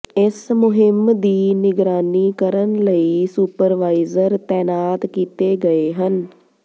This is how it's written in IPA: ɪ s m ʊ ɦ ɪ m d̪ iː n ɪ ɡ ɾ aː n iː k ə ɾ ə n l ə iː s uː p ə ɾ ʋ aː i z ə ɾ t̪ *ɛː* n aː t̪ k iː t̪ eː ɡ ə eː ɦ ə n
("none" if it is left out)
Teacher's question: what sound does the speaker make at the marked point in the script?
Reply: ɛː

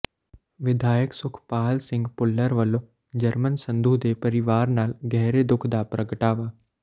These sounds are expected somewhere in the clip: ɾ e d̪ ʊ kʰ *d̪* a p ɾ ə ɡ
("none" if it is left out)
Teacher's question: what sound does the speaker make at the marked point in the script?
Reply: d̪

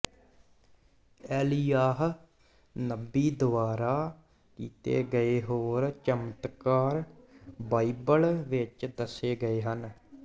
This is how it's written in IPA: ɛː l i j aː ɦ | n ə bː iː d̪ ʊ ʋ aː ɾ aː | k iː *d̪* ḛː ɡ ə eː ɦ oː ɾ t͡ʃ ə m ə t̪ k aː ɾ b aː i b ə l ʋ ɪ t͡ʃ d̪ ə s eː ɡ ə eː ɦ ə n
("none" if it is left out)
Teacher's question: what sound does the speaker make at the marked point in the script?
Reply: t̪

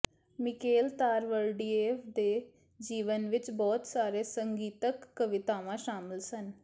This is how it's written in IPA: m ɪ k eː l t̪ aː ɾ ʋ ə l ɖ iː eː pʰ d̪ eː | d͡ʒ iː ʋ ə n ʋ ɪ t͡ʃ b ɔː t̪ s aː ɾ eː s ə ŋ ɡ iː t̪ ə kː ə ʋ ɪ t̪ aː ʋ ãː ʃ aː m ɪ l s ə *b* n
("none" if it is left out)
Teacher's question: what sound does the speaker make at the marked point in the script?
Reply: none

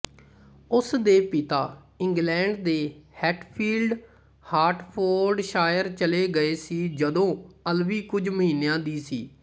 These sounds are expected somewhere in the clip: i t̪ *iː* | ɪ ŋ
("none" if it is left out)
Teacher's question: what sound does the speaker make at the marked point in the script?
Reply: aː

